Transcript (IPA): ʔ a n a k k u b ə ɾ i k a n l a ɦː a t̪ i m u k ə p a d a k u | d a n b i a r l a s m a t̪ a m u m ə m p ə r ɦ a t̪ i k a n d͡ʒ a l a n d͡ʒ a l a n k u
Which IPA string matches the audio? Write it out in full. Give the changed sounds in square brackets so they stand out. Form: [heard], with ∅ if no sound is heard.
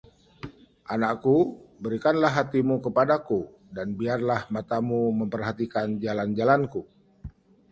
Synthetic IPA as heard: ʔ a n a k k u b ə ɾ i k a n l a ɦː a t̪ i m u k ə p a d a k u | d a n b i a r l a [h] m a t̪ a m u m ə m p ə r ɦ a t̪ i k a n d͡ʒ a l a n d͡ʒ a l a n k u